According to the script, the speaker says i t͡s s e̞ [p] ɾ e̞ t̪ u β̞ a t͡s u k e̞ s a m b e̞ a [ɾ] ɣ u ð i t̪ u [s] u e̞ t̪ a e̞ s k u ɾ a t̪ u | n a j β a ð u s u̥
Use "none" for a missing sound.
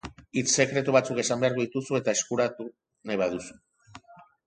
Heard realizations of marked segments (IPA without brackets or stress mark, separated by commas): k, ɾ, s